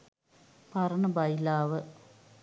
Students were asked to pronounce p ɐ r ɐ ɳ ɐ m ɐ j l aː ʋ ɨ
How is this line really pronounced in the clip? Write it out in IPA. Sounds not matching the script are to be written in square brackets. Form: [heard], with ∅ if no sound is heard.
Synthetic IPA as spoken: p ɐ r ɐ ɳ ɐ [b] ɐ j l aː ʋ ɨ